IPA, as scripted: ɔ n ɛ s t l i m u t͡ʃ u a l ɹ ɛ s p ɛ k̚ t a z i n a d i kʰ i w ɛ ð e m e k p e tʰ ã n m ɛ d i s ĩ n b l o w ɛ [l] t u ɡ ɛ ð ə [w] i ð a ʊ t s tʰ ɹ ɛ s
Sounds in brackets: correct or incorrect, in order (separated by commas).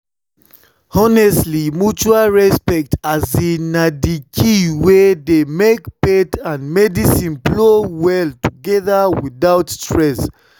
correct, correct